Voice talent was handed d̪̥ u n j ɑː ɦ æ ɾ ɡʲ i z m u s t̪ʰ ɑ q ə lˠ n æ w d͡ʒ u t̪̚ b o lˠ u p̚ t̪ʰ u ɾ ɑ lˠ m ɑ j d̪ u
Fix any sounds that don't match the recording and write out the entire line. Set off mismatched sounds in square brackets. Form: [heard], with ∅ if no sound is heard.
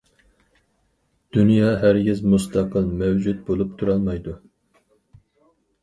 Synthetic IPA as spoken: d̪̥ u n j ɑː ɦ æ ɾ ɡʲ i z m u s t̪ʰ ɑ q ə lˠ [m] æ w d͡ʒ u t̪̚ b o lˠ u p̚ t̪ʰ u ɾ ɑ lˠ m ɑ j d̪ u